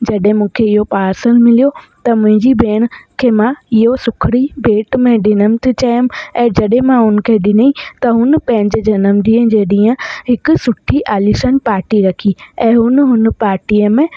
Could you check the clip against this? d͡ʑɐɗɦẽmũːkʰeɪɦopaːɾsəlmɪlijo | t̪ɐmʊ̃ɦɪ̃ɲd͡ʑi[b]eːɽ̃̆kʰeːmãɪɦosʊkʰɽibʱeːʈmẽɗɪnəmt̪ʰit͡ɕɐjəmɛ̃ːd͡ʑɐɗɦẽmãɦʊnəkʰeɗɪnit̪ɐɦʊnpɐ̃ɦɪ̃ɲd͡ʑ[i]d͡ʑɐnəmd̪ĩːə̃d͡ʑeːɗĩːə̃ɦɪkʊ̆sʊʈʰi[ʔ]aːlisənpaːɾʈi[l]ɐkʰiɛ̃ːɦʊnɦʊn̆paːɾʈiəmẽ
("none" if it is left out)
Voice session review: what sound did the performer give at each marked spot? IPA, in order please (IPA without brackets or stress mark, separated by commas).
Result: b, e, ʔ, ɾ